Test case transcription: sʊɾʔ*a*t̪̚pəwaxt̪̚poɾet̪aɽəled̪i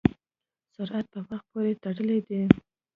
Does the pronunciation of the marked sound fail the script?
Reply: no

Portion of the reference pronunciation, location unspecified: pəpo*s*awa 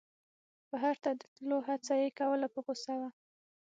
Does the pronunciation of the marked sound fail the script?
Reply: no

